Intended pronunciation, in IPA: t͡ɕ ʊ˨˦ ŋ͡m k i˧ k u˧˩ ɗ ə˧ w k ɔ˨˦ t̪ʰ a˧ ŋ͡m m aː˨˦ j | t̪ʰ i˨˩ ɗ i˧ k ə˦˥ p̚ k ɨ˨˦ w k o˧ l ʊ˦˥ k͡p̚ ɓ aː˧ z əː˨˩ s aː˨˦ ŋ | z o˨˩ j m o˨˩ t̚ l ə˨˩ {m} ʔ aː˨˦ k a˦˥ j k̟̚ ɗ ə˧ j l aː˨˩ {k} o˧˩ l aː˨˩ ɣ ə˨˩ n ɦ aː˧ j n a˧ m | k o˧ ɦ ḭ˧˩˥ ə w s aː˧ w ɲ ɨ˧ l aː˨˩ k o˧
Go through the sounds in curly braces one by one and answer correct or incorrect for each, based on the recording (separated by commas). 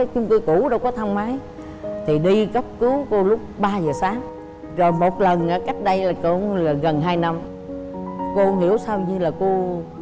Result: incorrect, correct